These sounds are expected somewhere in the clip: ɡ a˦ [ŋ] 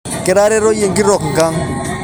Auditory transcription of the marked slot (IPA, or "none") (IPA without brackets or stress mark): ŋ